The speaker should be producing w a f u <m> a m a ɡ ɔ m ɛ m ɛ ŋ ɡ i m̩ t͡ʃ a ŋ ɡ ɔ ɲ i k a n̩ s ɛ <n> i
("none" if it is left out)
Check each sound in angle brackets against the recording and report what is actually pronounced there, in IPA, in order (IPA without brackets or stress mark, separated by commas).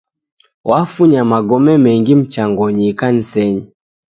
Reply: ɲ, ɲ